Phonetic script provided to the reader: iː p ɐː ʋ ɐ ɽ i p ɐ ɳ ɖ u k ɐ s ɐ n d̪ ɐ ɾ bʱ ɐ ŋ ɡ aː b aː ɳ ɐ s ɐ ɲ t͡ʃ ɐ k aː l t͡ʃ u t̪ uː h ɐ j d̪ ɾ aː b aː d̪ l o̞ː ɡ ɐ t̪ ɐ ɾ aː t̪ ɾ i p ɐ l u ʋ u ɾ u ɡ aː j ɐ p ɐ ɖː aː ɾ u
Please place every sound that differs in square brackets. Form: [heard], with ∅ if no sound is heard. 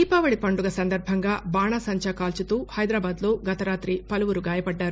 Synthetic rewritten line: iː p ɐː ʋ ɐ ɽ i p ɐ ɳ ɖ u [ɡ] ɐ s ɐ n d̪ ɐ ɾ bʱ ɐ ŋ ɡ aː b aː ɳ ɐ s ɐ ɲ t͡ʃ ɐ k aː l t͡ʃ u t̪ uː h ɐ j d̪ ɾ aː b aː d̪ l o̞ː ɡ ɐ t̪ ɐ ɾ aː t̪ ɾ i p ɐ l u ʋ u ɾ u ɡ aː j ɐ p ɐ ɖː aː ɾ u

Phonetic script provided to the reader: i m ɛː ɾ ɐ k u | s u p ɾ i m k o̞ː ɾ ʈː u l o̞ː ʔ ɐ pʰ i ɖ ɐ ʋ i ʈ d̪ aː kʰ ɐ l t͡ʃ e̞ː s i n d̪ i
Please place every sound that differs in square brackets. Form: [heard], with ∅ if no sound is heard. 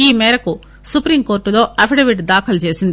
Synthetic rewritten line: [iː] m ɛː ɾ ɐ k u | s u p ɾ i m k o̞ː ɾ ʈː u l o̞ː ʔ ɐ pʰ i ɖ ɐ ʋ i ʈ d̪ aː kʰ ɐ l t͡ʃ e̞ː s i n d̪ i

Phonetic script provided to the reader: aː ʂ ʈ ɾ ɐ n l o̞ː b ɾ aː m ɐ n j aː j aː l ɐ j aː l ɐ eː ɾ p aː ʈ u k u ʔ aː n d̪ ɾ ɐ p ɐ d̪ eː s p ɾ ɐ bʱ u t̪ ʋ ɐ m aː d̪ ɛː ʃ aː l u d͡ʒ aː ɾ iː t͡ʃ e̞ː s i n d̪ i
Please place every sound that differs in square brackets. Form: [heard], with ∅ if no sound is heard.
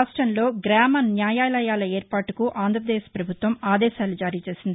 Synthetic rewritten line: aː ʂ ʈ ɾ ɐ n l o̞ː [ɡ] ɾ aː m ɐ n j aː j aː l ɐ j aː l ɐ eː ɾ p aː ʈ u k u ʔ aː n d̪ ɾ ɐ p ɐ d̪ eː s p ɾ ɐ bʱ u t̪ ʋ ɐ m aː d̪ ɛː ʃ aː l u d͡ʒ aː ɾ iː t͡ʃ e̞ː s i n d̪ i

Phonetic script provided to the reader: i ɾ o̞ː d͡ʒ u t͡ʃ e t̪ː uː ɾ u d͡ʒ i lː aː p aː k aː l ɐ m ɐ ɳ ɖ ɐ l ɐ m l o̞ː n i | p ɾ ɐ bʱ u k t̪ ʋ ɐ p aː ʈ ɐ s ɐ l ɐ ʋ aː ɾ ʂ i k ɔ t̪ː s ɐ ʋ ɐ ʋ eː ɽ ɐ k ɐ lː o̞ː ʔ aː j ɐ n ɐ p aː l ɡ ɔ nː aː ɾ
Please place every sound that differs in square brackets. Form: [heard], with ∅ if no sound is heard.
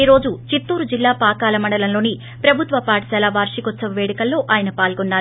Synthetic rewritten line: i ɾ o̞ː d͡ʒ u t͡ʃ [i] t̪ː uː ɾ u d͡ʒ i lː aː p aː k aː l ɐ m ɐ ɳ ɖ ɐ l ɐ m l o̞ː n i | p ɾ ɐ bʱ u [∅] t̪ ʋ ɐ p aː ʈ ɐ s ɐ l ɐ ʋ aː ɾ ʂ i k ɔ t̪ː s ɐ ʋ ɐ ʋ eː ɽ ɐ k ɐ lː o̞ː ʔ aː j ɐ n ɐ p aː l ɡ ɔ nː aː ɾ

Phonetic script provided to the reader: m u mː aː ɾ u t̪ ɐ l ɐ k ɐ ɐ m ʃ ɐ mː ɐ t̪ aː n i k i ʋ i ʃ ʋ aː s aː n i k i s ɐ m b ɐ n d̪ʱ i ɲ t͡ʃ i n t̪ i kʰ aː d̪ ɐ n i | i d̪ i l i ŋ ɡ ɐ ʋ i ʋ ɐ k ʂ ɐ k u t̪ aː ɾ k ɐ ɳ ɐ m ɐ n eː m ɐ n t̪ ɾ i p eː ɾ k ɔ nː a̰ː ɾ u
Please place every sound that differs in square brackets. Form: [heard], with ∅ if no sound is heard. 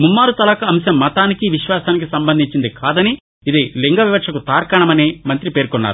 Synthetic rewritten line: m u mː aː ɾ u t̪ ɐ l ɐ k ɐ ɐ m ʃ ɐ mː ɐ t̪ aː n i k i ʋ i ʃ ʋ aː s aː n i k i s ɐ m b ɐ n d̪ʱ i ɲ t͡ʃ i n [d̪] i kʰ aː d̪ ɐ n i | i d̪ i l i ŋ ɡ ɐ ʋ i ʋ ɐ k ʂ ɐ k u t̪ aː ɾ k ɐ ɳ ɐ m ɐ n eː m ɐ n t̪ ɾ i p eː ɾ k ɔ nː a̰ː ɾ u

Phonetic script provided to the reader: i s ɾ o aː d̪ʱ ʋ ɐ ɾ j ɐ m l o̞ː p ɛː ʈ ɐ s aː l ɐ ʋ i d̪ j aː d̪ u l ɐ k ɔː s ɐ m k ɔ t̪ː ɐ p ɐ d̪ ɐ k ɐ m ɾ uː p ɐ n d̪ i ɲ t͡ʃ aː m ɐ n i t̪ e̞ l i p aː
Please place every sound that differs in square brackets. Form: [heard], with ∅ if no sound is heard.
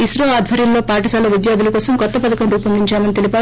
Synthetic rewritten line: i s ɾ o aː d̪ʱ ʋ ɐ ɾ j ɐ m l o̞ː p [aː] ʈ ɐ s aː l ɐ ʋ i d̪ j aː d̪ u l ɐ k ɔː s ɐ m k ɔ t̪ː ɐ p ɐ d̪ ɐ k ɐ m ɾ uː p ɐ n d̪ i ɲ t͡ʃ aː m ɐ n i t̪ e̞ l i p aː

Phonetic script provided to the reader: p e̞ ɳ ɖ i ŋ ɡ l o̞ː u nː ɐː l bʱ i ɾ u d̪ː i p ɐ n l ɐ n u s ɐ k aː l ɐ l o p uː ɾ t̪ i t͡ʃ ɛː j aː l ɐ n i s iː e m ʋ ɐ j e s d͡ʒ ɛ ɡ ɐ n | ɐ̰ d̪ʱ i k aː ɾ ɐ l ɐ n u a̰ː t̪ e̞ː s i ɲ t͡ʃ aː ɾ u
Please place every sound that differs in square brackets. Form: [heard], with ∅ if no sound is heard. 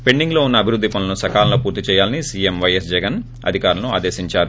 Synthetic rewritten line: p e̞ ɳ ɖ i ŋ ɡ l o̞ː u nː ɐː [∅] bʱ i ɾ u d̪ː i p ɐ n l ɐ n u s ɐ k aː l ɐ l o p uː ɾ t̪ i t͡ʃ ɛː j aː l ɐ n i s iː e m ʋ ɐ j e s d͡ʒ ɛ ɡ ɐ n | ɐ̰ d̪ʱ i k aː ɾ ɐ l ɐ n u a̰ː [d̪] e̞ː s i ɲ t͡ʃ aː ɾ u

